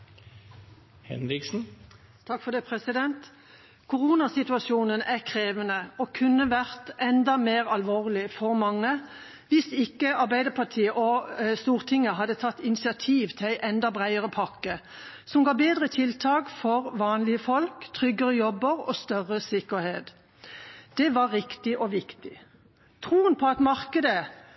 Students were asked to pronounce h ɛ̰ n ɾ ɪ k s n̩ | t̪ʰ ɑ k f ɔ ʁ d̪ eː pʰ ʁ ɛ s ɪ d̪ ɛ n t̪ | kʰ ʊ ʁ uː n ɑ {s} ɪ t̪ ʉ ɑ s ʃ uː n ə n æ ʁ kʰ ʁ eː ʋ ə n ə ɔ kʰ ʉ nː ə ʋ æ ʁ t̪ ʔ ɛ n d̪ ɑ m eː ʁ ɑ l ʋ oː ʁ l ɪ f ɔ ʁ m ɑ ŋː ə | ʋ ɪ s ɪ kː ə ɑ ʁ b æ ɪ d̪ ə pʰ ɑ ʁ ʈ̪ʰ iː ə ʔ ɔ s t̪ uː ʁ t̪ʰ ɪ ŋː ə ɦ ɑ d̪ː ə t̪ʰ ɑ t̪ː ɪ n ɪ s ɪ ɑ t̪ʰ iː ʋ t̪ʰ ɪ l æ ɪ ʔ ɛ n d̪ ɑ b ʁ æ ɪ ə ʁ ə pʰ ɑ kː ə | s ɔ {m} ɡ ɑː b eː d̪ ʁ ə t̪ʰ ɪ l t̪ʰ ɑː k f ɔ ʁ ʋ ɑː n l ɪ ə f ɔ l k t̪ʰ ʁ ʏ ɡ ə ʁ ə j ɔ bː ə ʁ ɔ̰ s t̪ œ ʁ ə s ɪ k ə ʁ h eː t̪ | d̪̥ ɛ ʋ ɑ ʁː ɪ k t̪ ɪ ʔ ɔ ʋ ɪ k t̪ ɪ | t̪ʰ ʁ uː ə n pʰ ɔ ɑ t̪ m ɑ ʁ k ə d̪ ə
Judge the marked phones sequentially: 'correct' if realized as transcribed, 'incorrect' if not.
correct, correct

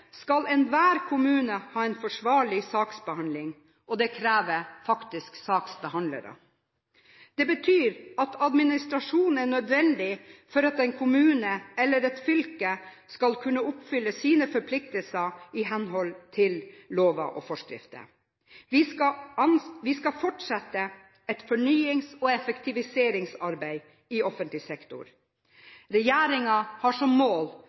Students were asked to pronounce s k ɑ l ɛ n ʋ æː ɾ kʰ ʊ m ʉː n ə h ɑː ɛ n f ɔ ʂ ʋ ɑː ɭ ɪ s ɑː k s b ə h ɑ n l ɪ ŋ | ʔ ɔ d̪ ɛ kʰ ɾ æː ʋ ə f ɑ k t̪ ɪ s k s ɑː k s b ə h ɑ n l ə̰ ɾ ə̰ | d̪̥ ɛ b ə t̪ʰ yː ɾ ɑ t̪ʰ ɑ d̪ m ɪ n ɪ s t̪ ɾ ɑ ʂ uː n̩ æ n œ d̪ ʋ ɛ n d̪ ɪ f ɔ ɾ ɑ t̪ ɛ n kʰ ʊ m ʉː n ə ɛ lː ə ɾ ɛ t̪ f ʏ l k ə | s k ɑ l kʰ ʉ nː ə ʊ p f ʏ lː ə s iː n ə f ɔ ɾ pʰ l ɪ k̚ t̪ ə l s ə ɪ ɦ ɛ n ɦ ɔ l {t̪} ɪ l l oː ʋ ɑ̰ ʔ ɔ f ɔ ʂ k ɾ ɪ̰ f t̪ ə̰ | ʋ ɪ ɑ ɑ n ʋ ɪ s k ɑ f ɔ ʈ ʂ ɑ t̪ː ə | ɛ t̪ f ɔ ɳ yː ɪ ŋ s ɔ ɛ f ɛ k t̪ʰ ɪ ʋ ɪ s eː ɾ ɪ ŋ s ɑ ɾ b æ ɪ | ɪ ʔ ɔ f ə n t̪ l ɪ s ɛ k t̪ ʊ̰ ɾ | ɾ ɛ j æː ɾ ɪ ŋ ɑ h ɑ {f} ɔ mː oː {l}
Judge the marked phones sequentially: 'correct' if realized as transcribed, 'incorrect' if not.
incorrect: t̪ʰ, incorrect: ʂ, correct

